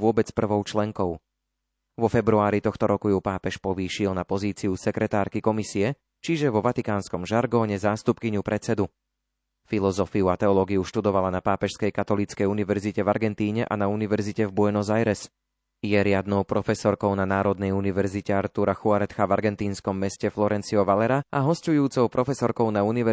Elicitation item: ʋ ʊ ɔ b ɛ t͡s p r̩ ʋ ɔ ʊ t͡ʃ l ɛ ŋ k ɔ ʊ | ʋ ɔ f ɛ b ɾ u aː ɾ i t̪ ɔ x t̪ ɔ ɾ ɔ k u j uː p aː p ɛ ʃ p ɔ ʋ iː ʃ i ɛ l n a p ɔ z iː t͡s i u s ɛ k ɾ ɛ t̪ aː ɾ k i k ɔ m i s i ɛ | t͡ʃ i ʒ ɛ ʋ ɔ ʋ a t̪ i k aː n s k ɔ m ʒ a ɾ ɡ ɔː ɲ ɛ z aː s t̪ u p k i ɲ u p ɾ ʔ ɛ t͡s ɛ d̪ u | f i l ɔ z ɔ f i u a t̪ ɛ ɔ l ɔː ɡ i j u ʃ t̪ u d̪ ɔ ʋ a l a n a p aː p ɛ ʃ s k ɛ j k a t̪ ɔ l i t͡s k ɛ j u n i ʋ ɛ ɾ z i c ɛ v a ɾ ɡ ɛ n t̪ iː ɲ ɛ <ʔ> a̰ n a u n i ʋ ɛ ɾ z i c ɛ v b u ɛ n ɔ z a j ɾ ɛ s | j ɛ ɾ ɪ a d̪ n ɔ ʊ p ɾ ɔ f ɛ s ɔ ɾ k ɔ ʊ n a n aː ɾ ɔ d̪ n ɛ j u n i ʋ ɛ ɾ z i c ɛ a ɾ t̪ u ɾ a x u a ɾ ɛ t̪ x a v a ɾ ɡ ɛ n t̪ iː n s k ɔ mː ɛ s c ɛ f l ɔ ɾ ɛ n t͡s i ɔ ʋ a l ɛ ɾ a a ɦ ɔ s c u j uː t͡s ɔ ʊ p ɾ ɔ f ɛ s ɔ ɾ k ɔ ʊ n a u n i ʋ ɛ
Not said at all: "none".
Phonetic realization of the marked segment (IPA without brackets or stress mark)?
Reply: ʔ